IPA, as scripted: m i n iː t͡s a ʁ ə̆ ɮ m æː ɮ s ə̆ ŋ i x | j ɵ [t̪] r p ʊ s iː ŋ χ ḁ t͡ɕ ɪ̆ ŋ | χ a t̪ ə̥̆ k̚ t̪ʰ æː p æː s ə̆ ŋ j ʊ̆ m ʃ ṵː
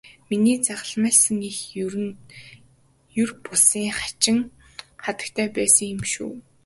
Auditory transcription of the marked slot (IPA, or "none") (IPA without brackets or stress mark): none